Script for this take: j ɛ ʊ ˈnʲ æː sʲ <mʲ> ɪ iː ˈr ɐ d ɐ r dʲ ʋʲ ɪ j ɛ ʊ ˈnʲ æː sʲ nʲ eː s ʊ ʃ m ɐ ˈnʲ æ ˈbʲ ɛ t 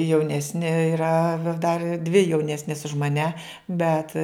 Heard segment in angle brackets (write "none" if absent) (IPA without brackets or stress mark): nʲ